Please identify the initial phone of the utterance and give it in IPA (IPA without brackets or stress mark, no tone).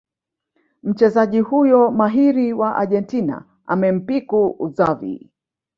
m̩